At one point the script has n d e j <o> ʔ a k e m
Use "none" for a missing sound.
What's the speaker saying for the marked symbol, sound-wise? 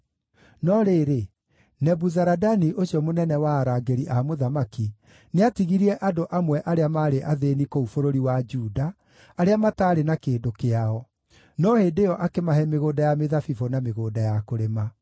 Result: ɔ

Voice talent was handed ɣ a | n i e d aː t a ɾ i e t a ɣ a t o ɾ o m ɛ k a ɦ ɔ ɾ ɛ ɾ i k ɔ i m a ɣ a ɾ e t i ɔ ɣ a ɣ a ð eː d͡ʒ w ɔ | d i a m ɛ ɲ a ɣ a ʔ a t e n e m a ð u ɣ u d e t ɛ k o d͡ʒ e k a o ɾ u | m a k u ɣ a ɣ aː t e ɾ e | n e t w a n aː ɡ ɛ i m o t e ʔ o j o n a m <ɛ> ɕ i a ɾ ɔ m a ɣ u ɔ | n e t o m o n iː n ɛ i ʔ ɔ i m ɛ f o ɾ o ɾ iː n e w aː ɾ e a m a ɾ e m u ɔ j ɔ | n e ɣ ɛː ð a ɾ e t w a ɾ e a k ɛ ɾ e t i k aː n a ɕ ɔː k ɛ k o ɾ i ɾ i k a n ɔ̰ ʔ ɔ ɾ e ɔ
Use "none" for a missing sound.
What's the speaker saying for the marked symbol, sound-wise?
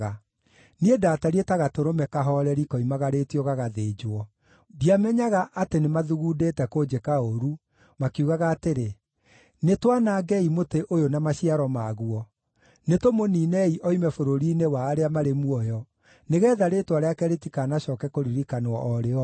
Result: a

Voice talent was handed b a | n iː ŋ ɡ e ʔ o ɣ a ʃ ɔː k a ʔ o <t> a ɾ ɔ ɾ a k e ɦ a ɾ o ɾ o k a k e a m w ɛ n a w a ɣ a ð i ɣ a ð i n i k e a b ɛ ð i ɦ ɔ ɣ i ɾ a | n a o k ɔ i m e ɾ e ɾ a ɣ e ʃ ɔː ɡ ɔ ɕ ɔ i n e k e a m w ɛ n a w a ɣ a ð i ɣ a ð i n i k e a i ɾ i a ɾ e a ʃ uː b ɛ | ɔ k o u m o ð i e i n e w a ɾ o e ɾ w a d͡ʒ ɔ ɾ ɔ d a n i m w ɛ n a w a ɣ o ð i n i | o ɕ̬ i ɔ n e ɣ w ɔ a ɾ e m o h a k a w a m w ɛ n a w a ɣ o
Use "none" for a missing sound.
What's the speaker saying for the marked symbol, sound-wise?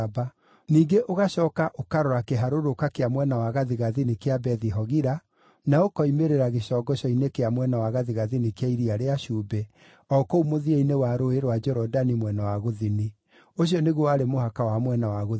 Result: k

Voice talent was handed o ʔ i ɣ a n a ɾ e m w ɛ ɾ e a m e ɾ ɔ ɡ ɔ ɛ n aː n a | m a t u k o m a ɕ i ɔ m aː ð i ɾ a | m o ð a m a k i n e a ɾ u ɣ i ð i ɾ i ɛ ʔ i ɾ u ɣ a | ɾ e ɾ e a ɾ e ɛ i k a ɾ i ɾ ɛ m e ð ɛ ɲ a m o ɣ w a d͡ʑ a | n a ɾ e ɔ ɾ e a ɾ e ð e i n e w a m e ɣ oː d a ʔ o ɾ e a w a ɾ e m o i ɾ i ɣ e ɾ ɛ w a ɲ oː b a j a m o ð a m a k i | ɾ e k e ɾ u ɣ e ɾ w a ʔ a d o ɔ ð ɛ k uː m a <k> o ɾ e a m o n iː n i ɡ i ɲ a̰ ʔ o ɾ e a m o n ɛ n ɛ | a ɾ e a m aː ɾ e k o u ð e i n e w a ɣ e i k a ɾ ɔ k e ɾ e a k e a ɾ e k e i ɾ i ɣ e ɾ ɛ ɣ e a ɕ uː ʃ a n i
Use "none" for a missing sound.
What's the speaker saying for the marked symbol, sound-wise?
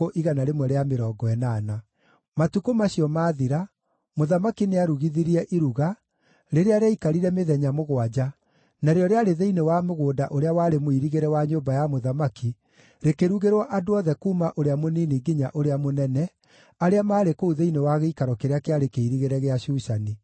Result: ʔ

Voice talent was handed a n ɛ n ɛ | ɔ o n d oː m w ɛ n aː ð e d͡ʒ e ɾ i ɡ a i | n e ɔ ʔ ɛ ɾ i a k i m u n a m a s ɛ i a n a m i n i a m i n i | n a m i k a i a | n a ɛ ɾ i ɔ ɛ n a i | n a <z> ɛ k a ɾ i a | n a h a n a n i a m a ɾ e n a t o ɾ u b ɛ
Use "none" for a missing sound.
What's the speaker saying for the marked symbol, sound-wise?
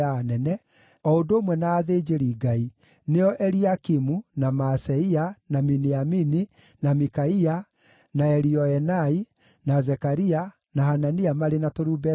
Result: z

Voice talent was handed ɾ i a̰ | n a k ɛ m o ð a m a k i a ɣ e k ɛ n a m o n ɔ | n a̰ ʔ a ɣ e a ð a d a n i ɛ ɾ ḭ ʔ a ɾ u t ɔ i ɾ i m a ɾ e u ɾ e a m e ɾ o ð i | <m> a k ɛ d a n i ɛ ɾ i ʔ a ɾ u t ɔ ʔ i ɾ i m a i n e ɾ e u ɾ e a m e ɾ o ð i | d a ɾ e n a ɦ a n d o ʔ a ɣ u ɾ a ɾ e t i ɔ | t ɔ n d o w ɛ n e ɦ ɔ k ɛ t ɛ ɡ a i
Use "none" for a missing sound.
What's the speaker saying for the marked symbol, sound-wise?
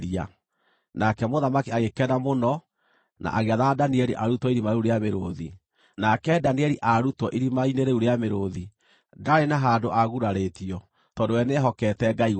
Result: n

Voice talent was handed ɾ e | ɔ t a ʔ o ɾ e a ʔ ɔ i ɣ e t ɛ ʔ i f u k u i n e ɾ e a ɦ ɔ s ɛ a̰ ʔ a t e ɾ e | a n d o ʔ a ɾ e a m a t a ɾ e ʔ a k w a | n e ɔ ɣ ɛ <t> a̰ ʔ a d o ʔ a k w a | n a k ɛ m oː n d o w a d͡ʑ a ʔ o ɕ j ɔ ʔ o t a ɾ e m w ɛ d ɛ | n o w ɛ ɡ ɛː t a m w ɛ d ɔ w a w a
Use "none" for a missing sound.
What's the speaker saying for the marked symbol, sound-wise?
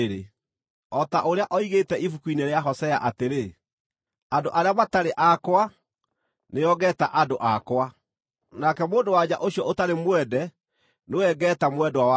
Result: t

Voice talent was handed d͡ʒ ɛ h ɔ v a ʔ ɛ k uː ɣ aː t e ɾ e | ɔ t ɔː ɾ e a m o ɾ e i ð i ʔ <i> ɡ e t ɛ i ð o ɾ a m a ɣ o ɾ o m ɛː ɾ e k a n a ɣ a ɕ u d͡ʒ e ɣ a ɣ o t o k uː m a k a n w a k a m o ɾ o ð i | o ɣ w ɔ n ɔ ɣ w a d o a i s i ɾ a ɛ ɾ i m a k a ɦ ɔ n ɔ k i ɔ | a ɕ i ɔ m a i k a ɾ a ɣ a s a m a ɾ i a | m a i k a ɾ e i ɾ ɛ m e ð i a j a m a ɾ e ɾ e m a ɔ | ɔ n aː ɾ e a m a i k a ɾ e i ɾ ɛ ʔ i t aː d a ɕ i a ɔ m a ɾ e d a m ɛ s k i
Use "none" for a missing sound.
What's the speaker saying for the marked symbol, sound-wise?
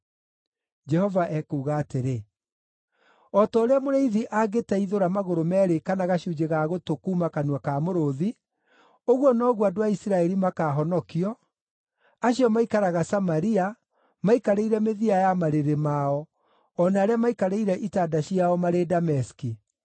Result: a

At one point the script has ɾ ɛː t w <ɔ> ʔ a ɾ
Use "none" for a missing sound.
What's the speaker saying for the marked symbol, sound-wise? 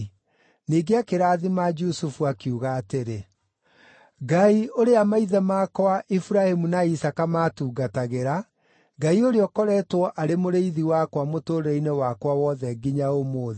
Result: ɔ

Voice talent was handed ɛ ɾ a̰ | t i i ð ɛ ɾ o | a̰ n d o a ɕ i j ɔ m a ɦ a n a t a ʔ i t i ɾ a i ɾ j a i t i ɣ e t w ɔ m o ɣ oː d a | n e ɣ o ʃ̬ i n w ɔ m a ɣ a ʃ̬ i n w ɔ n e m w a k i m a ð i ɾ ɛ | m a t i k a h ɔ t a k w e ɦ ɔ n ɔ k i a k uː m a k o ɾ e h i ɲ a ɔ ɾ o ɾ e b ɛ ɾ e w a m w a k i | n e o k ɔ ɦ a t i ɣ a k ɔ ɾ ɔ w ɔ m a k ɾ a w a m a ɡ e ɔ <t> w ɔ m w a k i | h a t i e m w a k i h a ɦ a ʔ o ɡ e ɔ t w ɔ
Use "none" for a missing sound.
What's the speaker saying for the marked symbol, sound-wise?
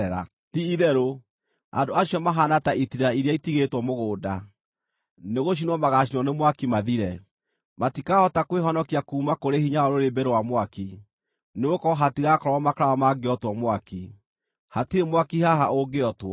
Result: t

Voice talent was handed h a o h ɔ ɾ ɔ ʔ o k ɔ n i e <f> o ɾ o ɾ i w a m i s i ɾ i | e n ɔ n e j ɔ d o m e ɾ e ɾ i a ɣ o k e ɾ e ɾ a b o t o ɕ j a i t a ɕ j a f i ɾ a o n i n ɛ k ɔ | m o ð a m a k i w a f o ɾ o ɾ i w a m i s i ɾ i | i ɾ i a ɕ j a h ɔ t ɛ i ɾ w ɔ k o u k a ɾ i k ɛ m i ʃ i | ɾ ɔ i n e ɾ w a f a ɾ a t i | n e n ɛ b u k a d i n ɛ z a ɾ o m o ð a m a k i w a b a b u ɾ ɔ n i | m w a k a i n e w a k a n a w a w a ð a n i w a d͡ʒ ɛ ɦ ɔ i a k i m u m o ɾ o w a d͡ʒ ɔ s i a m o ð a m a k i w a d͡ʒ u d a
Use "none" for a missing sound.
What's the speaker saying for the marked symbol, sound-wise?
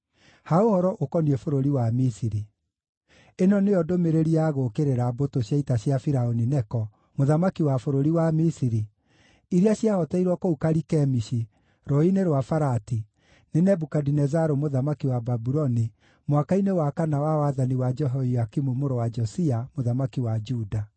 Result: f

